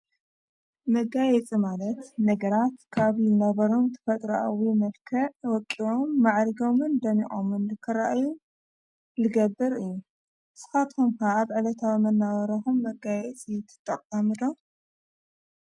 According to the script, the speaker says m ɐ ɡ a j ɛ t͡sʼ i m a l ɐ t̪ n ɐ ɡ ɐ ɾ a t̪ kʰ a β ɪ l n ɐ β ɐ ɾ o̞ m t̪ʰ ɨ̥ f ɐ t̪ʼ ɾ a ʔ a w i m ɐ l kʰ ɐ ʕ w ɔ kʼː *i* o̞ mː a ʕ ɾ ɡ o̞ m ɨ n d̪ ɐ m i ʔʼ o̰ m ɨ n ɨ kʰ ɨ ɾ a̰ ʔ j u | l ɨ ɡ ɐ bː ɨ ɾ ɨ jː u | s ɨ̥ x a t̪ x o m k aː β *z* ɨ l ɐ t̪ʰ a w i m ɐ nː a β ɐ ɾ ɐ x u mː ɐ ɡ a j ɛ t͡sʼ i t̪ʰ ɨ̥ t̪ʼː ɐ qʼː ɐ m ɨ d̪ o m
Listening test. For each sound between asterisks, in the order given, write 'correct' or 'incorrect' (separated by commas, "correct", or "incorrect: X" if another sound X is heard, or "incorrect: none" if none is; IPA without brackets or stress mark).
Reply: correct, incorrect: ʕ